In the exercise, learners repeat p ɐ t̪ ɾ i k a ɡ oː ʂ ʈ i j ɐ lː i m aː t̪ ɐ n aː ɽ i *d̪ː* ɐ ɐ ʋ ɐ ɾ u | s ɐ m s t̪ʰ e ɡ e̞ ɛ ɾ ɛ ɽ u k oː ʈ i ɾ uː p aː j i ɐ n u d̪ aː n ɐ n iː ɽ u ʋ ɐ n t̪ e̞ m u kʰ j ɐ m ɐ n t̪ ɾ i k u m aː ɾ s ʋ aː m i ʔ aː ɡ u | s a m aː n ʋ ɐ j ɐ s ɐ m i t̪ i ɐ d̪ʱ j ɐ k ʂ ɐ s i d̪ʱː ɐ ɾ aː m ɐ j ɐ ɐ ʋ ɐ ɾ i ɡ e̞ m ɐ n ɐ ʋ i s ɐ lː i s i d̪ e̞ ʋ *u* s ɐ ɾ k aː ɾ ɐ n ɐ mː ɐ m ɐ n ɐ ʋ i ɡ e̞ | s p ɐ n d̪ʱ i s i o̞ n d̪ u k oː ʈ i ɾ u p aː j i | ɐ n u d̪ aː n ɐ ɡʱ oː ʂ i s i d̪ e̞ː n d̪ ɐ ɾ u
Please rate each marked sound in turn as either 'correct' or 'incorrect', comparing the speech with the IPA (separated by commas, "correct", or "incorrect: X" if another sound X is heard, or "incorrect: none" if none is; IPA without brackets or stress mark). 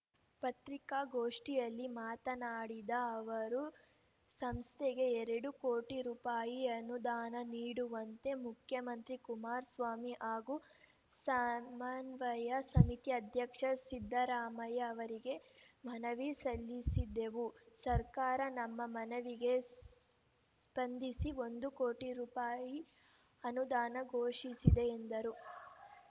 incorrect: d̪, correct